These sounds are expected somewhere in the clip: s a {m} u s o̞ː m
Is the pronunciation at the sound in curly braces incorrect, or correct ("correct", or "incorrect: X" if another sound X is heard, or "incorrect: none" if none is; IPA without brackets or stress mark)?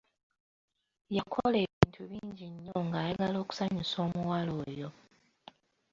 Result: incorrect: ɲ